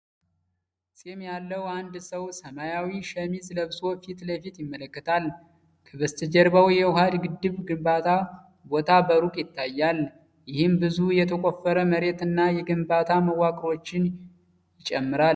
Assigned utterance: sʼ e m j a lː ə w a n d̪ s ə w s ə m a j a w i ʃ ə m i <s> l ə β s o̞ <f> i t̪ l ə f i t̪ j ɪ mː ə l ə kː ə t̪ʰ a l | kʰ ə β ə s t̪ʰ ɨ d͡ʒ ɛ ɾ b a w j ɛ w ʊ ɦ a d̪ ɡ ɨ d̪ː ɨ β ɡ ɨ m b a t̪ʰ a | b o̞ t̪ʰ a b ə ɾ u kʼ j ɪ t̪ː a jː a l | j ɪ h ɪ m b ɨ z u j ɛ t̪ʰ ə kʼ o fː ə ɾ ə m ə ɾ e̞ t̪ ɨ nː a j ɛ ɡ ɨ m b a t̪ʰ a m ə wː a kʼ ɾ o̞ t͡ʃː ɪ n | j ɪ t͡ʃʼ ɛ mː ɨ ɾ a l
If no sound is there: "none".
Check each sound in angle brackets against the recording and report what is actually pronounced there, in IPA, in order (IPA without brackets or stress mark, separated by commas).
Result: z, f